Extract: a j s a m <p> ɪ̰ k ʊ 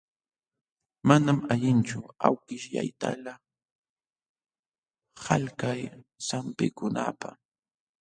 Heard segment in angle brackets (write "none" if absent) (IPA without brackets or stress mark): p